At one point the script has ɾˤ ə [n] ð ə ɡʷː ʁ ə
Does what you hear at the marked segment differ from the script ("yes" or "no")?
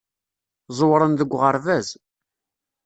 no